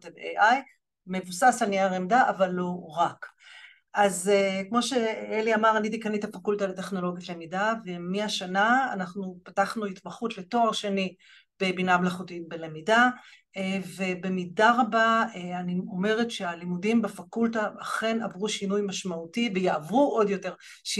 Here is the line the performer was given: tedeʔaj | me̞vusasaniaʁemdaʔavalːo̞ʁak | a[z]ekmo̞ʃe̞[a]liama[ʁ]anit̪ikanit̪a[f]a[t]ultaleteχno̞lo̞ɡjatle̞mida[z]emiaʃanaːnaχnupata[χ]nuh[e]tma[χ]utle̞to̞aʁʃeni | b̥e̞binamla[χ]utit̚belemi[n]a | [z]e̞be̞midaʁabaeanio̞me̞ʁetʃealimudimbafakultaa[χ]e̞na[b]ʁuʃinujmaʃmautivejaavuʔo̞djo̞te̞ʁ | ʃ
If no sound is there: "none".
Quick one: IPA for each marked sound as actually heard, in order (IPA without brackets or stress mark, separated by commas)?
z, e, ʁ, f, k, v, χ, i, χ, χ, d, v, χ, v